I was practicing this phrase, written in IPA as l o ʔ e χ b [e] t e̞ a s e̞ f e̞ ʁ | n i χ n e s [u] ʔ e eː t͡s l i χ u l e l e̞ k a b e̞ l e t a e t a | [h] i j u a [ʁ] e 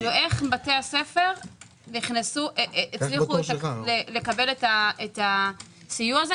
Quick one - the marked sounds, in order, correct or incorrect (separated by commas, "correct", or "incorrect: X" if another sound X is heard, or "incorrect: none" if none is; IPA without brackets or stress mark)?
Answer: incorrect: a, correct, incorrect: s, incorrect: z